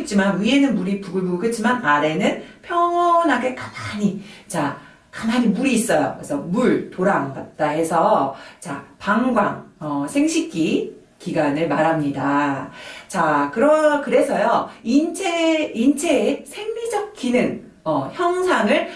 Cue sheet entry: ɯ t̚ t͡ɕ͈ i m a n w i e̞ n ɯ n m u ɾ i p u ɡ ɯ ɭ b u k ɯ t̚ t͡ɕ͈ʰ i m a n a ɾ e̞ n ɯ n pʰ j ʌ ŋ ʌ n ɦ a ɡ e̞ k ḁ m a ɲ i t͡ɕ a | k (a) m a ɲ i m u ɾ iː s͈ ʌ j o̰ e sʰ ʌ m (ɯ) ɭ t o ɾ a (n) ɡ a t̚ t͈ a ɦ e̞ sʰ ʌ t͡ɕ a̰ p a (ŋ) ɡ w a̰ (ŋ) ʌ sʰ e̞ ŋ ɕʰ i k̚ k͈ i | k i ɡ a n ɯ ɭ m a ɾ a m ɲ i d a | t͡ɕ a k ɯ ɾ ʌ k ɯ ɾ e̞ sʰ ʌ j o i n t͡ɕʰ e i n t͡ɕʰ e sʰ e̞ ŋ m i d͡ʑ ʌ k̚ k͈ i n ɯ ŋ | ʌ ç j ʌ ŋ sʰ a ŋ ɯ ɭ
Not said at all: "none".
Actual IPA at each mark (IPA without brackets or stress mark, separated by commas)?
a, u, ŋ, ŋ, ŋ